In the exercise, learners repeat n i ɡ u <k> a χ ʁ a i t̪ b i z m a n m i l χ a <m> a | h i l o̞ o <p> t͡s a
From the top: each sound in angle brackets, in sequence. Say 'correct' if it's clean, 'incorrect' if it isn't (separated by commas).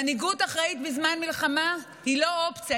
incorrect, correct, correct